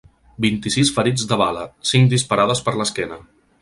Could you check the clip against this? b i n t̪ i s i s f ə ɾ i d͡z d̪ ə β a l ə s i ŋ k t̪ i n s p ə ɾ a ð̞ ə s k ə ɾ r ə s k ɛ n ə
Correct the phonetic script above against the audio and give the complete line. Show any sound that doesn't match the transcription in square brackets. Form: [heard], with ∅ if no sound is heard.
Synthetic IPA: b i n t̪ i s i s f ə ɾ i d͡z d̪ ə β a l ə s i ŋ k [d̪] i [∅] s p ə ɾ a ð̞ ə s [p] ə ɾ [l] ə s k ɛ n ə